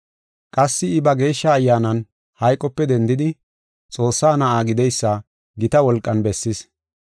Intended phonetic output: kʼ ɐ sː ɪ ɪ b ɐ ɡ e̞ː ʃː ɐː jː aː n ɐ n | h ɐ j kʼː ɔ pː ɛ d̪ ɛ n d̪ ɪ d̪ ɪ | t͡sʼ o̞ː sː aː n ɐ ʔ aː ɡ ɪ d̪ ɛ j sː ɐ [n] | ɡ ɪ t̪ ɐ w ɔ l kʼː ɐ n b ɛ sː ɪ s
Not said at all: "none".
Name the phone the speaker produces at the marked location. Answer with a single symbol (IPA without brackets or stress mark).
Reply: none